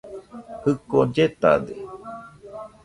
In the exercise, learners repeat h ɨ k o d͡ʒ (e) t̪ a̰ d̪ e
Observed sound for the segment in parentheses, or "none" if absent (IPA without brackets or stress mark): e